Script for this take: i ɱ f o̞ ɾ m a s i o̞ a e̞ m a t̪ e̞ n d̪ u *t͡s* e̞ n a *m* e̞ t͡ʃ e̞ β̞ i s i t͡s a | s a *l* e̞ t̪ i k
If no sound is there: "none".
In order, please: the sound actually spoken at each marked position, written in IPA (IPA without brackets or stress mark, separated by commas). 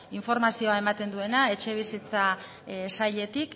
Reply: none, none, ʎ